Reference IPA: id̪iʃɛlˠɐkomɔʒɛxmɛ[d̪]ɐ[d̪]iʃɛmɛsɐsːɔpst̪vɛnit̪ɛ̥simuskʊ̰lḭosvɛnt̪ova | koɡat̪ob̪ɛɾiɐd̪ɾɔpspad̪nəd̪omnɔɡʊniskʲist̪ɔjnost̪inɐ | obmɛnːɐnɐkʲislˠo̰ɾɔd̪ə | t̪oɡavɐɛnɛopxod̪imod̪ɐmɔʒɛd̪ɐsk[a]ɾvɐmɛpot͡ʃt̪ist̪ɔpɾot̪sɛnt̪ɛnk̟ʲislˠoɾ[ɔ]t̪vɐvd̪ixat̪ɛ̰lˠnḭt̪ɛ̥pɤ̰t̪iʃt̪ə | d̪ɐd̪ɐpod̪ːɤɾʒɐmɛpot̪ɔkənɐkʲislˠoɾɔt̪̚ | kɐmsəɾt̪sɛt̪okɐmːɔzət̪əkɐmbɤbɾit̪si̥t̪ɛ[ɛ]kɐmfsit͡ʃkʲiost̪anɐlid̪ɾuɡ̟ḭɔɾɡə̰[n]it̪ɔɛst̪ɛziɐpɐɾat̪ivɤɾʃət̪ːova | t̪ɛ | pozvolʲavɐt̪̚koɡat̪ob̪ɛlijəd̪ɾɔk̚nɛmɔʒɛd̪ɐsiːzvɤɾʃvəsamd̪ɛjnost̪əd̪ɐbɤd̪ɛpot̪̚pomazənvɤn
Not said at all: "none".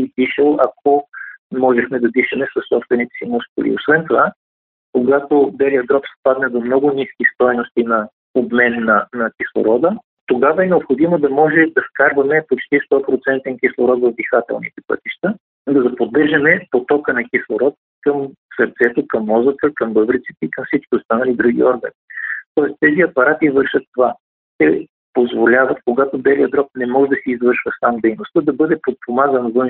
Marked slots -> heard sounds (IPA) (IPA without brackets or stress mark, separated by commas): d̪, d̪, a, ɔ, i, n